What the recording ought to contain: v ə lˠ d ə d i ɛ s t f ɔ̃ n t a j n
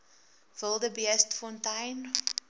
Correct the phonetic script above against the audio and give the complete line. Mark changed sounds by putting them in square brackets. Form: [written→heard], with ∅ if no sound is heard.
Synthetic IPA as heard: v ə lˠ d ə [d→b] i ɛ s t f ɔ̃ n t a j n